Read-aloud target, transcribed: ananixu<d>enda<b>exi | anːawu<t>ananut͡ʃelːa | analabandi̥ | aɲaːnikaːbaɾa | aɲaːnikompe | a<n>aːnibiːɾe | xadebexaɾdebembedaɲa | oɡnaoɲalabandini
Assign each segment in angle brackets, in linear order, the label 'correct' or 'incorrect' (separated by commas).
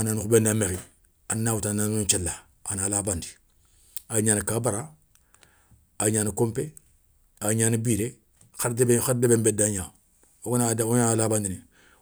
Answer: incorrect, incorrect, correct, incorrect